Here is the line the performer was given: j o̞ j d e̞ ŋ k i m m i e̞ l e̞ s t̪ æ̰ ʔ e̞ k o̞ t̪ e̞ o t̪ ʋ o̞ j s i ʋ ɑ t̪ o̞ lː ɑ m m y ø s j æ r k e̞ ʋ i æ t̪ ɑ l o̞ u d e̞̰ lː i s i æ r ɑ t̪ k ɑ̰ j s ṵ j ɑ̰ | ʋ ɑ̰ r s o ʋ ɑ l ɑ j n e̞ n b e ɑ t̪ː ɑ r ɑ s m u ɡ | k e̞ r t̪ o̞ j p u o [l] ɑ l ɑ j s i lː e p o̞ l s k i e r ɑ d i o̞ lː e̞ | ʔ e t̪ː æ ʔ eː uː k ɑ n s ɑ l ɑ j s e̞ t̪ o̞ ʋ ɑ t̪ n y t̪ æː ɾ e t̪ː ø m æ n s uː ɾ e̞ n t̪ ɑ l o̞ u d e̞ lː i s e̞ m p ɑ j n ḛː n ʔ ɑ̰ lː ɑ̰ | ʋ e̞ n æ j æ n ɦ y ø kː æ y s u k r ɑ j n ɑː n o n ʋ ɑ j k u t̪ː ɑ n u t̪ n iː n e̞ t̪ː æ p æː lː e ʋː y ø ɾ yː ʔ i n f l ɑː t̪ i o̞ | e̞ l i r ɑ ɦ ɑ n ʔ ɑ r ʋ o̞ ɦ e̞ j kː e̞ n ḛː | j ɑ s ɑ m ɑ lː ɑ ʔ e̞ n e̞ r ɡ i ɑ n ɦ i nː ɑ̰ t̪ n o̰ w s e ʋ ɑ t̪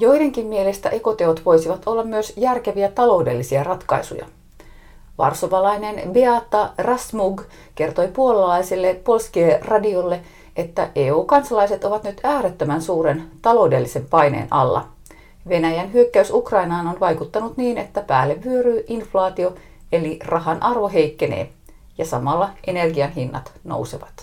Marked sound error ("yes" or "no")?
no